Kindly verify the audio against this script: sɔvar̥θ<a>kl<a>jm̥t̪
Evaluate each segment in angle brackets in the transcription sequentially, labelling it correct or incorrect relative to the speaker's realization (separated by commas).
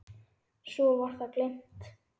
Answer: correct, incorrect